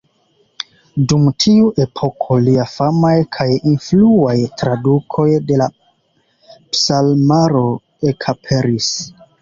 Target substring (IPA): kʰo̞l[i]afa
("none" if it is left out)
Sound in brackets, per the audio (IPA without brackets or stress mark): i